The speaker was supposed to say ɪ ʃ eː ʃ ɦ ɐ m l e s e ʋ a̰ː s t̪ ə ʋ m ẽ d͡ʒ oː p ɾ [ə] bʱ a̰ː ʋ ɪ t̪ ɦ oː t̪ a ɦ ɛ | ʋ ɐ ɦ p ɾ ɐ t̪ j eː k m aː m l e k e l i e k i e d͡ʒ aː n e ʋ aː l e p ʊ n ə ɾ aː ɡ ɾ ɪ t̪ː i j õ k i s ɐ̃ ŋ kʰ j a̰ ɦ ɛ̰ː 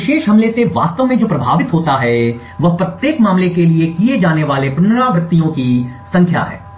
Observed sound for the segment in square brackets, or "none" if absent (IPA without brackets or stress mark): ɐ